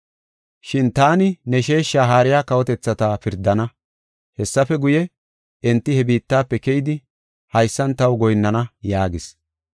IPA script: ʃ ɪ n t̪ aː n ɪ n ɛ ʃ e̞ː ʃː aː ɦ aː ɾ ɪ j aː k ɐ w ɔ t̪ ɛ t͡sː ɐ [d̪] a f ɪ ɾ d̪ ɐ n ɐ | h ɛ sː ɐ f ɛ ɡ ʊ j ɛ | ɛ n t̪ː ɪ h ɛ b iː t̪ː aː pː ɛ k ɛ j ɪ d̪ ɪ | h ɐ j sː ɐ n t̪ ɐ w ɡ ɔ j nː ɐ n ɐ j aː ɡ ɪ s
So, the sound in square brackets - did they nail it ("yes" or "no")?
no